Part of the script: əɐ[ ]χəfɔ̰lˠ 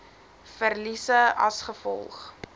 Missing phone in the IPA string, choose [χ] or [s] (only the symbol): s